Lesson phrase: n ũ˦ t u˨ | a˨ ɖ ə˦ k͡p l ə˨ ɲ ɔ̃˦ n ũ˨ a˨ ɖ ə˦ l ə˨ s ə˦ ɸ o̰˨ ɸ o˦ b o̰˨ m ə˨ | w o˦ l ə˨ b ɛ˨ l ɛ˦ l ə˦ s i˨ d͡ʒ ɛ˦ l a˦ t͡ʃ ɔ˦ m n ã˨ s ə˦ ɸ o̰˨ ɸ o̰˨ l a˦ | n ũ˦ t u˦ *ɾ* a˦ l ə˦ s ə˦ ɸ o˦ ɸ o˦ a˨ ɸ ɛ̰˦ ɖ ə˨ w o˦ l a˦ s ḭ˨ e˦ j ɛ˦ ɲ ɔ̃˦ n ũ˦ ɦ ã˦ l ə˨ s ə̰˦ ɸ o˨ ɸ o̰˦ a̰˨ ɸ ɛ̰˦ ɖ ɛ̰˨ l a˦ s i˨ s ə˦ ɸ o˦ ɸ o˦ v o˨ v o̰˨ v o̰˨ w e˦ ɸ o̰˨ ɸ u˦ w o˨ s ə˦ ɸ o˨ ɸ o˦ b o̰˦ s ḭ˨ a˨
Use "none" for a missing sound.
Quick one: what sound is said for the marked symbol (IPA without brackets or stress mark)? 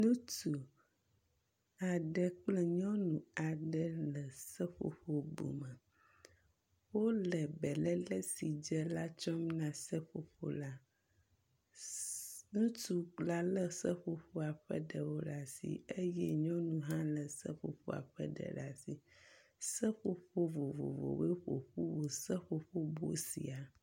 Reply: l